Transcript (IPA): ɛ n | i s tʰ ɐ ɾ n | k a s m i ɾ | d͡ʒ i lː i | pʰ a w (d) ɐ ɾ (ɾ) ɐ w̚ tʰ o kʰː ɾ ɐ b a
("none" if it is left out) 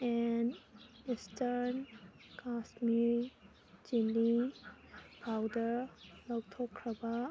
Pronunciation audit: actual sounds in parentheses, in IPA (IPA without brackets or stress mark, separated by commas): d, l